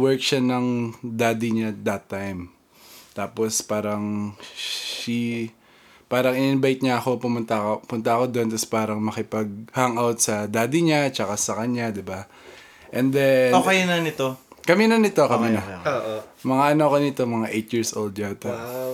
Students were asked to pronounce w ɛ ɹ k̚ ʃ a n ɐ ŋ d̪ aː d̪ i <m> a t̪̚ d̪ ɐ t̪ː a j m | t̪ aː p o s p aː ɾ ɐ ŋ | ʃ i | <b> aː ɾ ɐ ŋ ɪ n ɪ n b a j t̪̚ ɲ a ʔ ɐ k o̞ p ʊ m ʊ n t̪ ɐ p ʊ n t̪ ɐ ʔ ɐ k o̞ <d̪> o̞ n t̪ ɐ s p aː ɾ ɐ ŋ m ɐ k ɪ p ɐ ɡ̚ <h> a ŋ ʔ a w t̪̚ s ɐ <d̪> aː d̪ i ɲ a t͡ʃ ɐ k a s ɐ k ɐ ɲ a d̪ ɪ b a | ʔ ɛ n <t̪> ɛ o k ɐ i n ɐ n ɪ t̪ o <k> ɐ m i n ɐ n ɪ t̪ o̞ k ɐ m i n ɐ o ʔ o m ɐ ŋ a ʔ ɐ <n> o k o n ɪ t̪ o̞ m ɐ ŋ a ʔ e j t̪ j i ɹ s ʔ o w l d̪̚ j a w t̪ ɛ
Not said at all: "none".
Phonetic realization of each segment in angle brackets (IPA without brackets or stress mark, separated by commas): ɲ, p, d̪, h, d̪, d̪, k, n